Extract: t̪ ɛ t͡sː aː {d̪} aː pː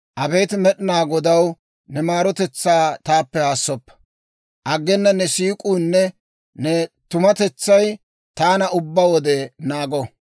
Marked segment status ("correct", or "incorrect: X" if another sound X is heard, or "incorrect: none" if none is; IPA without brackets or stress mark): incorrect: t̪